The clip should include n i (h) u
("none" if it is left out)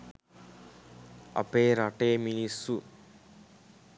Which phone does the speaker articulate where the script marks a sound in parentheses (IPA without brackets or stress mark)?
s